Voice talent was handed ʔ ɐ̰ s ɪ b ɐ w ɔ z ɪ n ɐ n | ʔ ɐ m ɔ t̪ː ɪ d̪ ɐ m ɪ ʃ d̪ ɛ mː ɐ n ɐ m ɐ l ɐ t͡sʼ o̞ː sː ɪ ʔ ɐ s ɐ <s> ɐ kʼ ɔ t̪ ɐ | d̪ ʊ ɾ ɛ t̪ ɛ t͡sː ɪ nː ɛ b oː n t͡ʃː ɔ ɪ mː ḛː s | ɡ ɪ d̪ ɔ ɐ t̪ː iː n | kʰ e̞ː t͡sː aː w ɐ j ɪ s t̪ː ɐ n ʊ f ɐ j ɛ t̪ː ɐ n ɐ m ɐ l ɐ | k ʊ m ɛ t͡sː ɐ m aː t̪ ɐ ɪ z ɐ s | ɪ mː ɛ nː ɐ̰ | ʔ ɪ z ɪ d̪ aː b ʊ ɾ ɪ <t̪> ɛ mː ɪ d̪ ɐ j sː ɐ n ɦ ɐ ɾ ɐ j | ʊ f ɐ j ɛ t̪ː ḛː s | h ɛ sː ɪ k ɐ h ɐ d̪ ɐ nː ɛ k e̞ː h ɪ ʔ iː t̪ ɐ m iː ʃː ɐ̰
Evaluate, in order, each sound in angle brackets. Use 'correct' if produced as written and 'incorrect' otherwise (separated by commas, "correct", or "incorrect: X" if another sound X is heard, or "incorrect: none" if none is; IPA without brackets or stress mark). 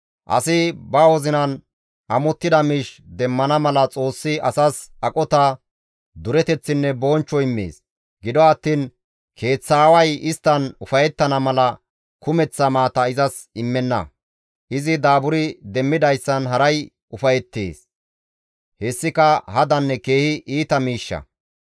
correct, incorrect: d̪